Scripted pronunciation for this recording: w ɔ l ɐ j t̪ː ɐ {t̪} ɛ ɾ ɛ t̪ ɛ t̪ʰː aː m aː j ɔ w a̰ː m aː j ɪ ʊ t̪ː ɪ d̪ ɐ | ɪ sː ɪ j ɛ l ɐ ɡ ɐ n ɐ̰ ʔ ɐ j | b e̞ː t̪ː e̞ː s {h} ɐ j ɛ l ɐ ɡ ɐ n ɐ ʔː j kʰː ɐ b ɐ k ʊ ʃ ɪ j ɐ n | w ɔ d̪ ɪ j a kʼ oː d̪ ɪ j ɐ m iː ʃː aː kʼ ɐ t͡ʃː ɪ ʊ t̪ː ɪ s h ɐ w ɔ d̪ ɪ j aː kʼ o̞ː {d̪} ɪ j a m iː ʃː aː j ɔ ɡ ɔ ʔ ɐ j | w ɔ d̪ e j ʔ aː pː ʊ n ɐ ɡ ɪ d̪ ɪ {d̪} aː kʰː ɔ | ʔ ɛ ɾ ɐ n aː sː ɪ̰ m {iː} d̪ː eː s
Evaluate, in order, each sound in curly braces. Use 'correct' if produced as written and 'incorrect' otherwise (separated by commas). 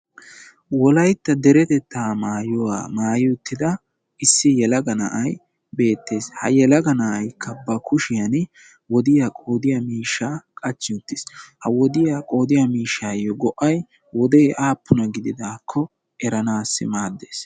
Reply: incorrect, correct, correct, correct, incorrect